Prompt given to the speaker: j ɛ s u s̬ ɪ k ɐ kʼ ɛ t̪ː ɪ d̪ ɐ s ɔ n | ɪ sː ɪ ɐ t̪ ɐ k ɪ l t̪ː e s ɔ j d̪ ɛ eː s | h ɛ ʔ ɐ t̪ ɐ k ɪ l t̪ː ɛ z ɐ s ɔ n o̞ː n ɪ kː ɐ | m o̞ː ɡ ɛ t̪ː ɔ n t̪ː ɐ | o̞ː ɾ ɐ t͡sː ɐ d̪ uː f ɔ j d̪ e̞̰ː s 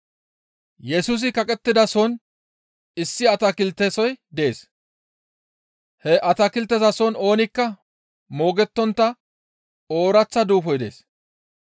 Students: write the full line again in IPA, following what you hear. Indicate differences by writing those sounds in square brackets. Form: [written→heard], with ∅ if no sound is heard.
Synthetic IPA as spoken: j ɛ s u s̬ ɪ k ɐ kʼ ɛ t̪ː ɪ d̪ ɐ s ɔ n | ɪ sː ɪ ɐ t̪ ɐ k ɪ l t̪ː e s ɔ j d̪ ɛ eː s | h ɛ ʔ ɐ t̪ ɐ k ɪ l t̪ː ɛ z ɐ s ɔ n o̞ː n ɪ kː ɐ | m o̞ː ɡ ɛ t̪ː ɔ n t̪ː ɐ | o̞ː ɾ ɐ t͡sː ɐ d̪ uː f ɔ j d̪ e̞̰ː s